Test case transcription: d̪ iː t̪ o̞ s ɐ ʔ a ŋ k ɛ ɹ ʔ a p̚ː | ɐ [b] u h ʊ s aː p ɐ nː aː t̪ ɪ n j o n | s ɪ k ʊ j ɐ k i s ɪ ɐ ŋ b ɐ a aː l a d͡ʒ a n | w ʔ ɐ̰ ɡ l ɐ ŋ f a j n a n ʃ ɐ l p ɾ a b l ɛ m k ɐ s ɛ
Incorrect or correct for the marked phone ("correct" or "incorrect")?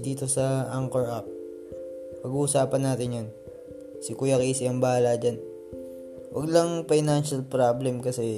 incorrect